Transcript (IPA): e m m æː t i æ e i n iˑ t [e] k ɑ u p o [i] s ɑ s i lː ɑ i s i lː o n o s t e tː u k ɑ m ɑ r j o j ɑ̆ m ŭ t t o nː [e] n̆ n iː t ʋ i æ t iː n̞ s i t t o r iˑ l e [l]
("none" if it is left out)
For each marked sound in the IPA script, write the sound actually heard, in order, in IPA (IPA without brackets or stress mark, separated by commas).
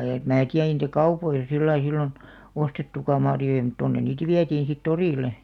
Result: æ, i, e, none